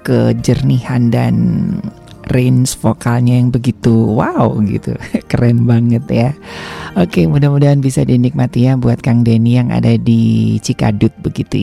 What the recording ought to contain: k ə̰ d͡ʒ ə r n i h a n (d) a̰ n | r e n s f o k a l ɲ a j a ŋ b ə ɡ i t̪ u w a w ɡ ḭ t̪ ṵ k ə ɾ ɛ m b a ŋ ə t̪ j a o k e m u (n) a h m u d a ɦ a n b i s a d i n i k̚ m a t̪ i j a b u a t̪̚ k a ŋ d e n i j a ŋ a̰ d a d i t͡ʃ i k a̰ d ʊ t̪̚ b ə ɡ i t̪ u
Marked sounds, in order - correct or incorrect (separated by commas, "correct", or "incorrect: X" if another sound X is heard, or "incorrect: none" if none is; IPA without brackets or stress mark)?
correct, incorrect: d